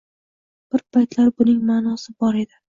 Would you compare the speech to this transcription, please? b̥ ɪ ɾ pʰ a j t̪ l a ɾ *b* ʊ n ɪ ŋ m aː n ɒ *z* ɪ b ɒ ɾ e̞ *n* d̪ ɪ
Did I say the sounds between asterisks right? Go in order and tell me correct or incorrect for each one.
correct, incorrect: s, incorrect: none

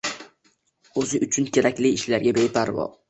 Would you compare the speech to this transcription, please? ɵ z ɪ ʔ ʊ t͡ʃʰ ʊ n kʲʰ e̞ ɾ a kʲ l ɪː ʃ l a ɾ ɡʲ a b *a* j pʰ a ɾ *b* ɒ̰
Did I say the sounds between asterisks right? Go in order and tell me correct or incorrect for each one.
incorrect: e, incorrect: v

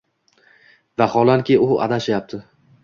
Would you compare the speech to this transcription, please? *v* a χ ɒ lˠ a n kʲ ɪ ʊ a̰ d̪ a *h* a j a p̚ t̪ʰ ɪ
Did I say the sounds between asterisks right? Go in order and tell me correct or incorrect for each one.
correct, incorrect: ʃ

